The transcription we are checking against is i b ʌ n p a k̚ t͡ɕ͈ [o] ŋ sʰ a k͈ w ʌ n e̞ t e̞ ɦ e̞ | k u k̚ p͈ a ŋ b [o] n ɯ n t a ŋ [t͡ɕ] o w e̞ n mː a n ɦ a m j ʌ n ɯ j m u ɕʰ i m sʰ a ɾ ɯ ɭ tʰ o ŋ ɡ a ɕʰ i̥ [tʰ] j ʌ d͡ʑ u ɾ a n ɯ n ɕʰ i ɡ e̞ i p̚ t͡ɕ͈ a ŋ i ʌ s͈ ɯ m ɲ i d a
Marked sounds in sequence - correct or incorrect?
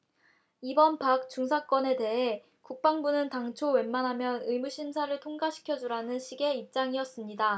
incorrect: u, incorrect: u, incorrect: t͡ɕʰ, incorrect: kʰ

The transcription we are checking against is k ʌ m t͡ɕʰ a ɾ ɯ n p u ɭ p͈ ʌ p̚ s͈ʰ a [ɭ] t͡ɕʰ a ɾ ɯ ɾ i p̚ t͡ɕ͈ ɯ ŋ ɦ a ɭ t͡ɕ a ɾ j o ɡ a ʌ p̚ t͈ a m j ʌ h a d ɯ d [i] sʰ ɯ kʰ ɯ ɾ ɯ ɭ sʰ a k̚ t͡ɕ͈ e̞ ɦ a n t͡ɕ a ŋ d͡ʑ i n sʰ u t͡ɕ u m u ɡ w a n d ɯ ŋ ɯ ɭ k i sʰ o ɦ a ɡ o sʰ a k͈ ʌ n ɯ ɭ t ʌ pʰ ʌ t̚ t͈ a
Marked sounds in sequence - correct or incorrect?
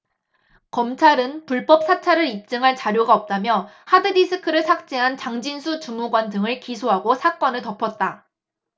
incorrect: none, correct

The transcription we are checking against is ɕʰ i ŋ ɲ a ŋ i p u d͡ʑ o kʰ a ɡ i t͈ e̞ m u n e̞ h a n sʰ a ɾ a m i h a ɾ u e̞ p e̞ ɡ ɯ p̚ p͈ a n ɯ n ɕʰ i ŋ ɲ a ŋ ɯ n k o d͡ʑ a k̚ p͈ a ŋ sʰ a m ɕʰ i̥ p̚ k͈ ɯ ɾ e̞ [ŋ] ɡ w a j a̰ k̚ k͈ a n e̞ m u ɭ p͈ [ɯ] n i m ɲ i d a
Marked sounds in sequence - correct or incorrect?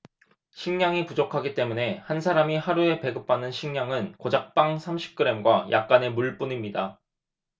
incorrect: m, incorrect: u

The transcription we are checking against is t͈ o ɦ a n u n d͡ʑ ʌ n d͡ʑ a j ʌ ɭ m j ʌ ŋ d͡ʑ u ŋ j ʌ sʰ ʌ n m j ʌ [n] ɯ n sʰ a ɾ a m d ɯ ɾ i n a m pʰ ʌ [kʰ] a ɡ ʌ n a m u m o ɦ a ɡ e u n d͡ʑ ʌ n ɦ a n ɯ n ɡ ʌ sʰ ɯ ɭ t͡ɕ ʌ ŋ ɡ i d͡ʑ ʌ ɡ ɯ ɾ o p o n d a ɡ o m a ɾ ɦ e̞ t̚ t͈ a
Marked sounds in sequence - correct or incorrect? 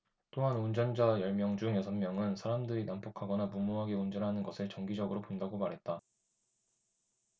incorrect: ŋ, correct

